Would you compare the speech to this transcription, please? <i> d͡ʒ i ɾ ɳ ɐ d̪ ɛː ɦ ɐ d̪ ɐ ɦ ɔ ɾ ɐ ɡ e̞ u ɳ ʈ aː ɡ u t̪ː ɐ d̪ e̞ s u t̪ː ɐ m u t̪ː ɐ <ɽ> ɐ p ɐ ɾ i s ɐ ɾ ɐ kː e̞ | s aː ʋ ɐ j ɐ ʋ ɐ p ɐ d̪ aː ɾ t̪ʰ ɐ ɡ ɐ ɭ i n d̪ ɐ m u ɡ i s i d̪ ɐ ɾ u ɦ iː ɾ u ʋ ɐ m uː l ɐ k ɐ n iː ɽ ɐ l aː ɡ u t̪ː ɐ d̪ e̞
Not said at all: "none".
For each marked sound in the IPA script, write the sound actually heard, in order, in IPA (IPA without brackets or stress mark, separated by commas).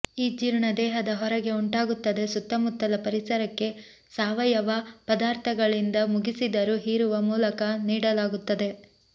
iː, l